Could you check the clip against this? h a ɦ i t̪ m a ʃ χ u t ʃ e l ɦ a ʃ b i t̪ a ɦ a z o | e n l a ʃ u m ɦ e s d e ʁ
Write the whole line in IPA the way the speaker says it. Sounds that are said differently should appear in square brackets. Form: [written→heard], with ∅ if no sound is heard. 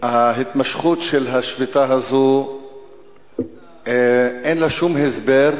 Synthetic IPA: h a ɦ i t̪ m a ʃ χ u t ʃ e l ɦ a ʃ [b→v] i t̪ a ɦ a z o | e n l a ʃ u m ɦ e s [d→b] e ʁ